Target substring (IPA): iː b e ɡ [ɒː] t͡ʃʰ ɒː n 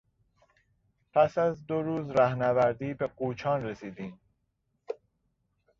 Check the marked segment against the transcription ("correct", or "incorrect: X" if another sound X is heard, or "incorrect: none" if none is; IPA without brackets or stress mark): incorrect: uː